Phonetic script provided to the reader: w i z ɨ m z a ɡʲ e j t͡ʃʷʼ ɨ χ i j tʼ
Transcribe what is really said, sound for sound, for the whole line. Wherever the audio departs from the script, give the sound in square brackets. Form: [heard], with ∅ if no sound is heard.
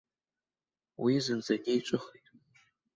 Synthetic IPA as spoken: w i z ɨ [n] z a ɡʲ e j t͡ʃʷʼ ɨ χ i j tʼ